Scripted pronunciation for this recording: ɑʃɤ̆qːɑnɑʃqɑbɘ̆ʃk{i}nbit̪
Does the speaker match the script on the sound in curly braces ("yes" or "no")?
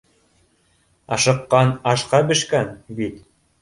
no